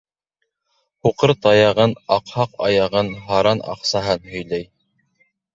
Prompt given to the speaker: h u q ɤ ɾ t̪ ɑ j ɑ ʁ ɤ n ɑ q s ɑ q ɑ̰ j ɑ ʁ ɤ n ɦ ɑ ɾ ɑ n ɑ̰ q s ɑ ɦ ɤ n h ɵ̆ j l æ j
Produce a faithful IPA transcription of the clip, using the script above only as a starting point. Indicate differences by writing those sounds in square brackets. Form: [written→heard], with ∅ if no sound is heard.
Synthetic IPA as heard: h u q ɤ ɾ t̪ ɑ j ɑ ʁ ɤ n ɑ q [s→h] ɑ q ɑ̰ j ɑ ʁ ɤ n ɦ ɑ ɾ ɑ n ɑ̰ q s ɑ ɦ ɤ n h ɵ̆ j l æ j